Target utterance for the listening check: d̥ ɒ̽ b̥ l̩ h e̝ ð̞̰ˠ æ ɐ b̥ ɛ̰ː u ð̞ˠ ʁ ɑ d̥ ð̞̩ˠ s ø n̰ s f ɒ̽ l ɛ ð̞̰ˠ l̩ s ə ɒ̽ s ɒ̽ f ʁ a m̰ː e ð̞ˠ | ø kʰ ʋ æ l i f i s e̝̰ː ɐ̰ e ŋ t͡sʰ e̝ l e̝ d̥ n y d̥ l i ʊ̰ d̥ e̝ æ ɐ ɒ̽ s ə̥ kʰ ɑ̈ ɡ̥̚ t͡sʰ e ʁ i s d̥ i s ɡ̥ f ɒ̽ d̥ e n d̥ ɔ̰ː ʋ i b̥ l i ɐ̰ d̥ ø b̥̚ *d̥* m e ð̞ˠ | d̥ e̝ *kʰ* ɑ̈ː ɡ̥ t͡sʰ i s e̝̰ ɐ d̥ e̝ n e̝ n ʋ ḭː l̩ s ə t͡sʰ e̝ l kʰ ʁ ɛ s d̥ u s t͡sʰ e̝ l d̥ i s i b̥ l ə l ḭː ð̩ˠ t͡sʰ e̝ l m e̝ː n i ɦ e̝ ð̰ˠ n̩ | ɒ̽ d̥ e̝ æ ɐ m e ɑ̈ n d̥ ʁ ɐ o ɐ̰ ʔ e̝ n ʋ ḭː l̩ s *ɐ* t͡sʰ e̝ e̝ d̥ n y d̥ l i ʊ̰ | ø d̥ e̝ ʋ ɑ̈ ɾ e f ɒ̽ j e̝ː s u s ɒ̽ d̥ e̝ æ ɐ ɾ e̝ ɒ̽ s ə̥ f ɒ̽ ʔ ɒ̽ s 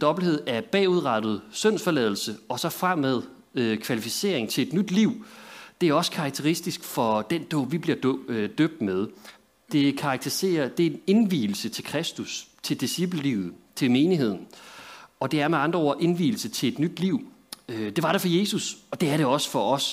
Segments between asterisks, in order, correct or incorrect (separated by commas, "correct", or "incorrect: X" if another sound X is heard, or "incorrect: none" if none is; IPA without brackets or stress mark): correct, correct, incorrect: ə